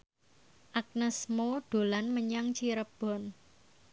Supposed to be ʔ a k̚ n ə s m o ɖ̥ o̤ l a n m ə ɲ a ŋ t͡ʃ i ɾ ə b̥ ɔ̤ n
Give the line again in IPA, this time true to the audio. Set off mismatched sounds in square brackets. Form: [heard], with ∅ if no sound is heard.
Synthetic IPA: ʔ a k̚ n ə s m o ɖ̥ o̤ l a n m ə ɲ a ŋ t͡ʃ i ɾ ə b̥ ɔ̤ n